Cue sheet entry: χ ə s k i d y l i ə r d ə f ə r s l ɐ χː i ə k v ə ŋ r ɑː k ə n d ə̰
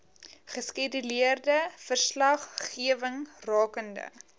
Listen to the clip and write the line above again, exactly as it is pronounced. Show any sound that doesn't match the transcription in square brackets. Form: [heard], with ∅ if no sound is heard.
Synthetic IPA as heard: χ ə s k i d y l i ə r d ə f ə r s l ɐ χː i ə [∅] v ə ŋ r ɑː k ə n d ə̰